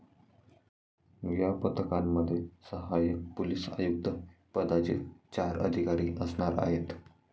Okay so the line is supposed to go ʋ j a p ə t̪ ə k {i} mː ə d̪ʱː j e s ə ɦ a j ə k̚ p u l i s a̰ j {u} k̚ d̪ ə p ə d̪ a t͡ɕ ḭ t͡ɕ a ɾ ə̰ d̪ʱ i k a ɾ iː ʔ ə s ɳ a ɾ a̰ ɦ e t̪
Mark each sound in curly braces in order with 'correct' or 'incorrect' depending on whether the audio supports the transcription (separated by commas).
incorrect, correct